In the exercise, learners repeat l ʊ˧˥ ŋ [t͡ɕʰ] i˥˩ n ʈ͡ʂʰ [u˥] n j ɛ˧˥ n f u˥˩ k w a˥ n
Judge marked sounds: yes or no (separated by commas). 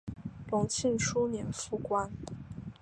yes, yes